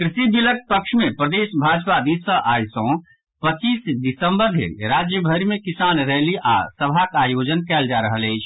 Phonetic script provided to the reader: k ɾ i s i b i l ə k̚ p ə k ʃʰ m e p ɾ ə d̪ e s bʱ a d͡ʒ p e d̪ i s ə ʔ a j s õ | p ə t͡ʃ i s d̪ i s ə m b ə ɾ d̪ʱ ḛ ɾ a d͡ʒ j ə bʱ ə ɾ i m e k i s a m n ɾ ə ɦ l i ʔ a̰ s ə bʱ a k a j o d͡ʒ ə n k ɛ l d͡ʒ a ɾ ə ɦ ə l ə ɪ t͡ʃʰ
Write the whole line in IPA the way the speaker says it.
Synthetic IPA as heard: k ɾ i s i b i l ə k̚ p ə k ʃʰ m e p ɾ ə d̪ e s bʱ a d͡ʒ p a d̪ i s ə ʔ a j s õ | p ə t͡ʃ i s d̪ i s ə m b ə ɾ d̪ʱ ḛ ɾ a d͡ʒ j ə bʱ ə ɾ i m e k i s a n ɾ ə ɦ l i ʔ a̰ s ə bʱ a k a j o d͡ʒ ə n k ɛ l d͡ʒ a ɾ ə ɦ ə l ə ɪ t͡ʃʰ